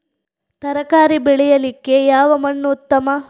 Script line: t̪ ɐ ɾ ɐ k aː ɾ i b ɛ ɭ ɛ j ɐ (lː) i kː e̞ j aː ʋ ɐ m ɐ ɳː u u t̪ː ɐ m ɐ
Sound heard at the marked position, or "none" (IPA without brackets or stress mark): l